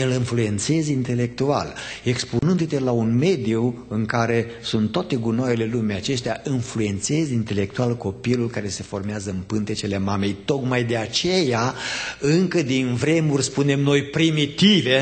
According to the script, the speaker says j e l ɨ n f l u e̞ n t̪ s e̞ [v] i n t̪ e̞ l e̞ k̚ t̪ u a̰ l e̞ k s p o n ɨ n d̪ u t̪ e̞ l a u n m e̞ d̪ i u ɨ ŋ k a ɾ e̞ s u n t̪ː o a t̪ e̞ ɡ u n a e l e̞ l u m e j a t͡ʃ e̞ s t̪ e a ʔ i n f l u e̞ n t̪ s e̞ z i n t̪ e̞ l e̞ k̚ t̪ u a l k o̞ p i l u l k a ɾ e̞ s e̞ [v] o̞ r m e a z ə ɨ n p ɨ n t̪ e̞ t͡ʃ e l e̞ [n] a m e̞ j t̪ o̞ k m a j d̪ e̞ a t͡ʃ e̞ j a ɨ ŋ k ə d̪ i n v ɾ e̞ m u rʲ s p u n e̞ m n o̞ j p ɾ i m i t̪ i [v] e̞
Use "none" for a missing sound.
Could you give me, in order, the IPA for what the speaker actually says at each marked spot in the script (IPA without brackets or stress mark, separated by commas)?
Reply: z, f, m, v